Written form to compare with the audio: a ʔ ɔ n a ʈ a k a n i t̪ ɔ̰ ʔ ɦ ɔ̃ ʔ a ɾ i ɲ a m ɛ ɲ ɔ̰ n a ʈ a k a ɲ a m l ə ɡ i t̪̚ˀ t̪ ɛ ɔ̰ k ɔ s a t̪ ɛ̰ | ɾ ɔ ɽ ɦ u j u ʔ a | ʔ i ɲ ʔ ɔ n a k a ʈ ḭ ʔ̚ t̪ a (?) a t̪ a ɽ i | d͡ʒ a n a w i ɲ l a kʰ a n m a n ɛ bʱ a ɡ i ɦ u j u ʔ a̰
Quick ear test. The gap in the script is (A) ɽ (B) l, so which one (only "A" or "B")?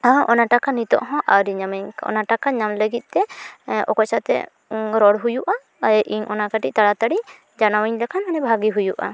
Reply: A